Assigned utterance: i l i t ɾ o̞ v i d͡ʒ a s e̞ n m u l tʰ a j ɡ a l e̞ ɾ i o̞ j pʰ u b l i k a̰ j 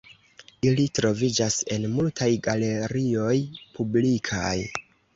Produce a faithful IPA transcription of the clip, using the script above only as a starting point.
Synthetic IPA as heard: i l i t ɾ o̞ v i d͡ʒ a s e̞ n m u l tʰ a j ɡ a l e̞ ɾ i o̞ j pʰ u b l i kʰ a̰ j